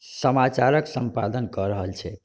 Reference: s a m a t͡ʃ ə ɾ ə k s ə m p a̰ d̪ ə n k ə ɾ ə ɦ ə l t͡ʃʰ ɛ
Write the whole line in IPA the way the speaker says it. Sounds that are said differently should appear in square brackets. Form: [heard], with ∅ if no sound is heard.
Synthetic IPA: s [ə] m a t͡ʃ [a] ɾ ə k s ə m p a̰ d̪ ə n k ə ɾ ə ɦ ə l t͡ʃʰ ɛ